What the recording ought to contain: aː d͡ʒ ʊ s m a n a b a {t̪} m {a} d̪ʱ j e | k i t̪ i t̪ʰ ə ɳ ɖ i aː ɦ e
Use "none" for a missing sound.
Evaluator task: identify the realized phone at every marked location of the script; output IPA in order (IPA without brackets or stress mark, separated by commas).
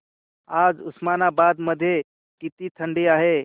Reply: d̪, ə